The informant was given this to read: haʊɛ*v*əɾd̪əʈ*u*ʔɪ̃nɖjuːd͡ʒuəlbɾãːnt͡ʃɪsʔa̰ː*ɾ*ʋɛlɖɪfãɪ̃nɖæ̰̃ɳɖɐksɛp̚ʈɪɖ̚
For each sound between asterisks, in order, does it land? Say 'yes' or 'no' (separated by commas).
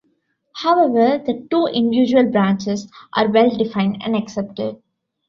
no, no, yes